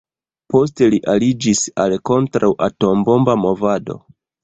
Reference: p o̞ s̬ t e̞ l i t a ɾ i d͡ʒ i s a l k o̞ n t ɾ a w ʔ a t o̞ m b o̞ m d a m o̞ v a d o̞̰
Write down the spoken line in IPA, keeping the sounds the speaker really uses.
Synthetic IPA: p o̞ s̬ t e̞ l i ʔ a l i d͡ʒ i s a l k o̞ n t ɾ a w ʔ a t o̞ m b o̞ m b a m o̞ v a d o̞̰